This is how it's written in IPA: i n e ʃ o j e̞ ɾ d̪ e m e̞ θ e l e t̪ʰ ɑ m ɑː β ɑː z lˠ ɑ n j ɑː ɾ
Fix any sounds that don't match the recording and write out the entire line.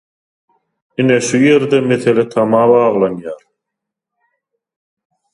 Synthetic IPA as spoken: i n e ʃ u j e̞ ɾ d̪ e m e̞ θ e l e t̪ʰ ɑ m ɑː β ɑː ʁ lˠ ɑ n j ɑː ɾ